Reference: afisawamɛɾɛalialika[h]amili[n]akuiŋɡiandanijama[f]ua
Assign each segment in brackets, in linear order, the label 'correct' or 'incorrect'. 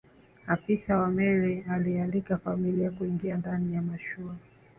incorrect, incorrect, incorrect

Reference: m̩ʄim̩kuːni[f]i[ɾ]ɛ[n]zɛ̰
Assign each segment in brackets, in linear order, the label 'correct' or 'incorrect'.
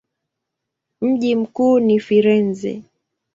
correct, correct, correct

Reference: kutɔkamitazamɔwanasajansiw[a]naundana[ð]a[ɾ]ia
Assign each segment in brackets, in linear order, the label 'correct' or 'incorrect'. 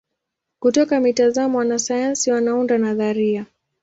correct, correct, correct

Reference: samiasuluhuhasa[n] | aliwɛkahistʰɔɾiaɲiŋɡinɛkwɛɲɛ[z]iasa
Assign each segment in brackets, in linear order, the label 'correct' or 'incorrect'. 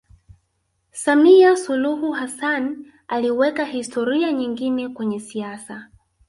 correct, incorrect

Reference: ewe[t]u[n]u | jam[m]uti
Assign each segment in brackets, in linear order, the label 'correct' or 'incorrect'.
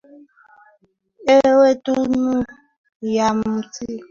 correct, correct, correct

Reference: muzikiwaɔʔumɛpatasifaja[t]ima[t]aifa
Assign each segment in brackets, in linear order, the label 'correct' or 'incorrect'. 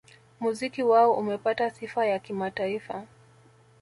incorrect, correct

